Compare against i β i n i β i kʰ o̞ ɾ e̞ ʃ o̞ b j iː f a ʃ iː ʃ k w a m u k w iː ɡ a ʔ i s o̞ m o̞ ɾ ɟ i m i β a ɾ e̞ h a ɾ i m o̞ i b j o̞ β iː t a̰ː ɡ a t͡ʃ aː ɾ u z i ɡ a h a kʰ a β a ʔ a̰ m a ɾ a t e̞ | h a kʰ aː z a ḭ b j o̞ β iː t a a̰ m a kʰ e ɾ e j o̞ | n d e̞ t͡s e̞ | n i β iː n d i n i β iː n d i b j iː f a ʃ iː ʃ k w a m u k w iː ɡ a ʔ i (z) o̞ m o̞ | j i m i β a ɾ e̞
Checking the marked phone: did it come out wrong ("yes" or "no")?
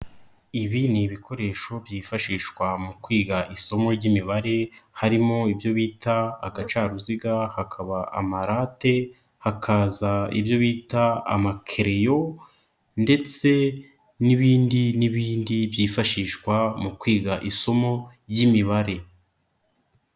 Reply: yes